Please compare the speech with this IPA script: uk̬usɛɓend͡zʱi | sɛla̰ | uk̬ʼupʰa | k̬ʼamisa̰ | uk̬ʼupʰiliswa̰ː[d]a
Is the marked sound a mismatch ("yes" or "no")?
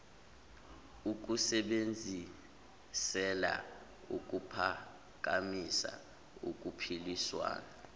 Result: yes